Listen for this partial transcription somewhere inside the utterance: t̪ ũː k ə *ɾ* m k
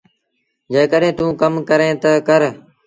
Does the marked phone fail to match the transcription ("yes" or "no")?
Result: yes